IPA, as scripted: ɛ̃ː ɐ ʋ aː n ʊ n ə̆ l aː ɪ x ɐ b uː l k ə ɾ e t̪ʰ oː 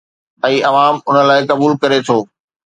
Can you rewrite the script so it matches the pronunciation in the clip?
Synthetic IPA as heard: ɛ̃ː ɐ ʋ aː m ʊ n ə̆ l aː ɪ k ɐ b uː l k ɐ ɾ e t̪ʰ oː